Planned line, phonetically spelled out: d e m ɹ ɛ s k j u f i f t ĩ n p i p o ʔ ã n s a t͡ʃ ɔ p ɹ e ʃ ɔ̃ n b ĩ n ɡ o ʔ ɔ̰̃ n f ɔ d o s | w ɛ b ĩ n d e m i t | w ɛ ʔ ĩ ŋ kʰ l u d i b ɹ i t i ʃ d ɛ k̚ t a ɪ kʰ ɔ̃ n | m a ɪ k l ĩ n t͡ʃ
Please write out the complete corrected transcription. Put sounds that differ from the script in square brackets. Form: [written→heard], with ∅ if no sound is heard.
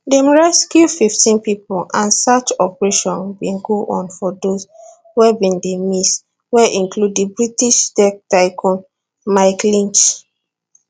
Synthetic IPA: d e m ɹ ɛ s k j u f i f t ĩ n p i p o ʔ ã n s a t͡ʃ ɔ p ɹ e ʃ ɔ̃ n b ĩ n ɡ o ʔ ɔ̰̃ n f ɔ d o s | w ɛ b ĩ n d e m i [t→s] | w ɛ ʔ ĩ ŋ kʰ l u d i b ɹ i t i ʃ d ɛ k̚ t a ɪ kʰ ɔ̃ n | m a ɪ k l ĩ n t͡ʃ